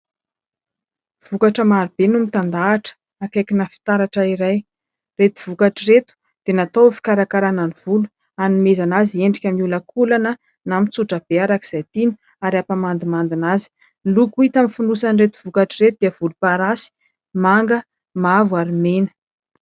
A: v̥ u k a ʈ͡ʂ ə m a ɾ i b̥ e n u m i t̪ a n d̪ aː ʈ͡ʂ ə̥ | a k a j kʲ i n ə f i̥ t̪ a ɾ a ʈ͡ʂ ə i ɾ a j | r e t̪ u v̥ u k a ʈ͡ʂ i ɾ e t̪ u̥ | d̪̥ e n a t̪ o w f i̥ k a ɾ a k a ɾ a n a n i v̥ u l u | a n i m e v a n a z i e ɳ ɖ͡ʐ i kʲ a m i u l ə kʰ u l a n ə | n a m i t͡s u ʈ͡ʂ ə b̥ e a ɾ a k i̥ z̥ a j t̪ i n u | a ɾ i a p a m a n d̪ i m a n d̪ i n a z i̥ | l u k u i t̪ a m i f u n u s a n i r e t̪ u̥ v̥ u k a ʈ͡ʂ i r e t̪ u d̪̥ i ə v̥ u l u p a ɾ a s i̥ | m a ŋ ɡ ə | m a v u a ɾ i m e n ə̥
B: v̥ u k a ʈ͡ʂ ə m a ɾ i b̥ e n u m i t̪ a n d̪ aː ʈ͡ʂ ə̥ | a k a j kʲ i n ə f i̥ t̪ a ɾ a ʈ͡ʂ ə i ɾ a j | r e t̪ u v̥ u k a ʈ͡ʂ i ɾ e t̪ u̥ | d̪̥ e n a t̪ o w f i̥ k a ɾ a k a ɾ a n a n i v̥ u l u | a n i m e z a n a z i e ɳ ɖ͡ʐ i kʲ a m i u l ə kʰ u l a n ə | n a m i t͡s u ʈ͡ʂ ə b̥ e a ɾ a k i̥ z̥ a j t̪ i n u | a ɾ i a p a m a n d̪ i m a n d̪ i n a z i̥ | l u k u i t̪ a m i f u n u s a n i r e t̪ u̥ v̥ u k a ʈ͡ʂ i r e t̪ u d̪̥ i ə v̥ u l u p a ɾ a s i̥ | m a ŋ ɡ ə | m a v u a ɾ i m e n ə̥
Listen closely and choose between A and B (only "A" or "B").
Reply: B